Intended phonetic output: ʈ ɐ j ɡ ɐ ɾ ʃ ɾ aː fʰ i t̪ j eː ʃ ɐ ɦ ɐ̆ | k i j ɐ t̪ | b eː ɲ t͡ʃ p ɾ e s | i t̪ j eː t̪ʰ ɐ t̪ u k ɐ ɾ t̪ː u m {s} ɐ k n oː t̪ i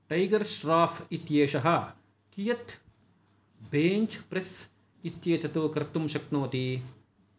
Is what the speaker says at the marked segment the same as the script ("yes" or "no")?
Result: no